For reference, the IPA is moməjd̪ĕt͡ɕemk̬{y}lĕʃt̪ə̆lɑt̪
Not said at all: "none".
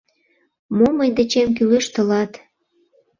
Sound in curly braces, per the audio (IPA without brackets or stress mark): y